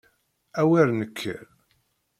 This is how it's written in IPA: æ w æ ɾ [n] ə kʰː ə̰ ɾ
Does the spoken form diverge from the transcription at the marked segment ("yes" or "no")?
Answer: no